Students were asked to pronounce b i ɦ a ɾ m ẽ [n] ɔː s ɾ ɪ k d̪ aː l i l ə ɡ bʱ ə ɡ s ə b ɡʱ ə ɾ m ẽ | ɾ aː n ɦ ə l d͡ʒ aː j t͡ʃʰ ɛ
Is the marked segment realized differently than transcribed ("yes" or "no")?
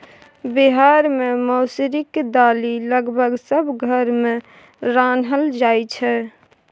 yes